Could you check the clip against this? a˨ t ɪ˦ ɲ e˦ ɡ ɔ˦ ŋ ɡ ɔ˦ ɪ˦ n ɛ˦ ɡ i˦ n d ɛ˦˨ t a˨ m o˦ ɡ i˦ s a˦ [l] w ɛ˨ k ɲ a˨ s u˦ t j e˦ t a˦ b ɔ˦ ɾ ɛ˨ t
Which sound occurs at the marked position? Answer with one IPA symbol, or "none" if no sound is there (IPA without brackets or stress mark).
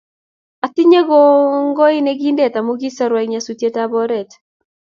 ɾ